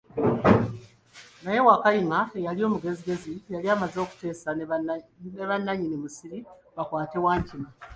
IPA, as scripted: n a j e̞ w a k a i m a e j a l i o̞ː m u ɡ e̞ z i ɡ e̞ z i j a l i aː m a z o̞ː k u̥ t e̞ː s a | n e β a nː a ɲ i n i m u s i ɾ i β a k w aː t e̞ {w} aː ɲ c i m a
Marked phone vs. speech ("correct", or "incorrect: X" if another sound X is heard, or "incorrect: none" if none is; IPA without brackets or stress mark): correct